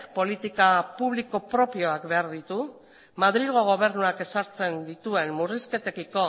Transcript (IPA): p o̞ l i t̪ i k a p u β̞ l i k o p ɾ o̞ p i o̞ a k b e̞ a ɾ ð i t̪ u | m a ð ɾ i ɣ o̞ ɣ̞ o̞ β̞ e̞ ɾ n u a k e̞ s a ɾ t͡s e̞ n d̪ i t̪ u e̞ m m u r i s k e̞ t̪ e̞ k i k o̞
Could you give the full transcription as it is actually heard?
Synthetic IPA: p o̞ l i t̪ i k a p u β̞ l i k o p ɾ o̞ p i o̞ a k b e̞ a ɾ ð i t̪ u | m a ð ɾ i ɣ o̞ ɣ̞ o̞ β̞ e̞ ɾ n u a k e̞ s a ɾ t͡s e̞ n d̪ i t̪ u e̞ n m u r i s k e̞ t̪ e̞ k i k o̞

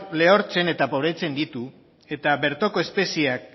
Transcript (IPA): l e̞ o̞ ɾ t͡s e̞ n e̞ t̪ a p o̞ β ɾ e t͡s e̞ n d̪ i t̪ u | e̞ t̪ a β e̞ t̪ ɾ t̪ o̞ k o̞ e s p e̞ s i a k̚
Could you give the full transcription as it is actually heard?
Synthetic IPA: l e̞ o̞ ɾ t͡s e̞ n e̞ t̪ a p o̞ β ɾ e t͡s e̞ n d̪ i t̪ u | e̞ t̪ a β e̞ ɾ t̪ o̞ k o̞ e s p e̞ s i a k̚

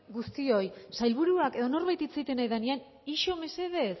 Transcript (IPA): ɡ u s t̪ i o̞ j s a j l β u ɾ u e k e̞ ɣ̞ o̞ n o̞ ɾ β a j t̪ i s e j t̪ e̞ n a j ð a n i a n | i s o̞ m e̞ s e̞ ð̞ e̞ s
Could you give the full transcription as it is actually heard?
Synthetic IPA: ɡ u s t̪ i o̞ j s a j l β u ɾ u a k e̞ ð̞ o̞ n o̞ ɾ β a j t̪ i t͡s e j t̪ e̞ n a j ð a n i a n | i ʃ o̞ m e̞ s e̞ ð̞ e̞ s

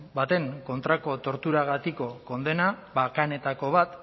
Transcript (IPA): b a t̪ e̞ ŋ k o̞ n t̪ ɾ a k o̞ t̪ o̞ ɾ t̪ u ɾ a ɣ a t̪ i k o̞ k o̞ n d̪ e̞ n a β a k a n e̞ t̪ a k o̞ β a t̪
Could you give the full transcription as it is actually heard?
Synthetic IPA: b a t̪ e̞ ŋ k o̞ n t̪ ɾ a k o̞ t̪ o̞ ɾ t̪ u ɾ a ɣ a t̪ i k o̞ k o̞ n d̪ e̞ n a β a k a n e̞ t̪ a k o̞ β a t̪

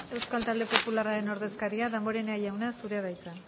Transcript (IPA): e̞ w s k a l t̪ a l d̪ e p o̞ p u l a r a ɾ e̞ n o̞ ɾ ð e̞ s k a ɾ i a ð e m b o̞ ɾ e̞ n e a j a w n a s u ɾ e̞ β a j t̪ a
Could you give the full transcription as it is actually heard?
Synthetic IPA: e̞ w s k a l t̪ a l d̪ e p o̞ p u l a r a ɾ e̞ n o̞ ɾ ð e̞ s k a ɾ i a ð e m b o̞ ɾ e̞ n e a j a w n a s u ɾ e̞ β a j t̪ a

